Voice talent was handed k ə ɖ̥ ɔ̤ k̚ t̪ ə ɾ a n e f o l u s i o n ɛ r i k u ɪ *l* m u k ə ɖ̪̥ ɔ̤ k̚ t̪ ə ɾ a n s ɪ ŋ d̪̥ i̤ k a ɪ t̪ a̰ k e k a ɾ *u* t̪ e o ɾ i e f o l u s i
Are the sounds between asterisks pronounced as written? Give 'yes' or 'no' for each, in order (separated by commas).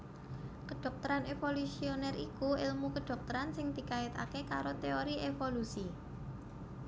yes, no